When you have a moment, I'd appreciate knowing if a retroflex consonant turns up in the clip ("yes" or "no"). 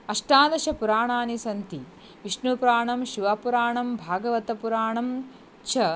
yes